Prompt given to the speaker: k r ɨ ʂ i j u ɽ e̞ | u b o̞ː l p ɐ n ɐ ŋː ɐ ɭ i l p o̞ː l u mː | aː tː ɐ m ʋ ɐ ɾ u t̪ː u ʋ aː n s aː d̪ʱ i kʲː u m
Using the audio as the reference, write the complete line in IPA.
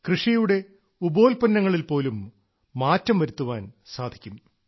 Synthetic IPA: k r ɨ ʂ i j u ɽ e̞ | u b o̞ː l p ɐ nː ɐ ŋː ɐ ɭ i l p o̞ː l u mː | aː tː ɐ m ʋ ɐ ɾ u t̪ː u ʋ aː n s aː d̪ʱ i kʲː u m